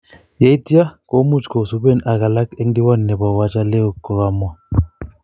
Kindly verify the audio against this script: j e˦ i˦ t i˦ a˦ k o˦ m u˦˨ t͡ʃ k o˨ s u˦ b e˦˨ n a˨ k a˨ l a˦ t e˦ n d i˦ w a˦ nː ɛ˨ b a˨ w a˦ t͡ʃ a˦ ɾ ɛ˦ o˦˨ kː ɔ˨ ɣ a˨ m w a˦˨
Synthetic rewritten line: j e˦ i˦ t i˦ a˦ k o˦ m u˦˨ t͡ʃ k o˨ s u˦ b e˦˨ n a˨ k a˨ l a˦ k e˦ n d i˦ w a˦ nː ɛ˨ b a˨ w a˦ t͡ʃ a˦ l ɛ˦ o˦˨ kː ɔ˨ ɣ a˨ m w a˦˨